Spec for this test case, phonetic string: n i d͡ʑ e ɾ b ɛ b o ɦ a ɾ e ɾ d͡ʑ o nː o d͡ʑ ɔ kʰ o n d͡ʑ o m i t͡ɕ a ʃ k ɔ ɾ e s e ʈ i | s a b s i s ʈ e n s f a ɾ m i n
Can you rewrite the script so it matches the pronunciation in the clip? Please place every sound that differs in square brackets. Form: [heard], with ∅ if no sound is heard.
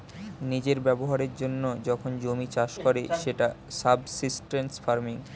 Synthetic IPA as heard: n i d͡ʑ e ɾ b ɛ b o ɦ a ɾ e ɾ d͡ʑ o nː o d͡ʑ ɔ kʰ o n d͡ʑ o m i t͡ɕ a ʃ k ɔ ɾ e [ʃ] e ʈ [a] | s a b s i s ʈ e n s f a ɾ m i [ŋ]